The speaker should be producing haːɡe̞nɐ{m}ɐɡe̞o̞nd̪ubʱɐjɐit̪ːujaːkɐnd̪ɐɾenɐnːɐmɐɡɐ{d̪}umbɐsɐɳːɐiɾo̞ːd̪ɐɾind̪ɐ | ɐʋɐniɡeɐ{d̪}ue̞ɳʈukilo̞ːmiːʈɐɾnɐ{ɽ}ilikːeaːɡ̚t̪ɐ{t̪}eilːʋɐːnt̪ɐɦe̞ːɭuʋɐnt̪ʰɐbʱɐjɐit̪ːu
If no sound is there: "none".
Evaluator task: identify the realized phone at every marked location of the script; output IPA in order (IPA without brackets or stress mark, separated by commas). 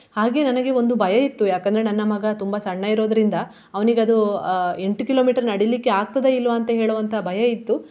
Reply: n, t̪, d̪, ɽ, d̪